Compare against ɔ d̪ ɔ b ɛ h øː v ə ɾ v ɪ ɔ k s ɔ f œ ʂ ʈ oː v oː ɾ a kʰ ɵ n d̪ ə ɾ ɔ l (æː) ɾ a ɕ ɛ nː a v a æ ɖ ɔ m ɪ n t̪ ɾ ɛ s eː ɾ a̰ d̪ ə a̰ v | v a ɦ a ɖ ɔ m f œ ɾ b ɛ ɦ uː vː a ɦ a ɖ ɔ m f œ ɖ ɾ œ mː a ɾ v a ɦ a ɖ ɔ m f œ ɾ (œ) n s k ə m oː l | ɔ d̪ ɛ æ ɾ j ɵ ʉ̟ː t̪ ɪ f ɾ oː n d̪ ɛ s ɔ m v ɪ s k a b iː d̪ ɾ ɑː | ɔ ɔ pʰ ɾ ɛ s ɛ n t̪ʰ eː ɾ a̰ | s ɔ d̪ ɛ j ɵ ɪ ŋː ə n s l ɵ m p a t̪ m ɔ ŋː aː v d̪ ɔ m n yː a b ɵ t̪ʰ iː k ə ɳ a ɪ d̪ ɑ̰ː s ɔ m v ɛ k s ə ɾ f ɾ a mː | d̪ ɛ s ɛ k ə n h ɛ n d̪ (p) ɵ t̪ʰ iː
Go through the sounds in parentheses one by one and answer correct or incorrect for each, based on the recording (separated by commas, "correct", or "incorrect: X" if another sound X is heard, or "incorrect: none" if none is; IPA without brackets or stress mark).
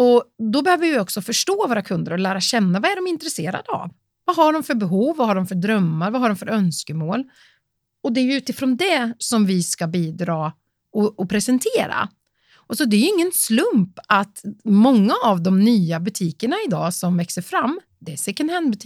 correct, correct, incorrect: b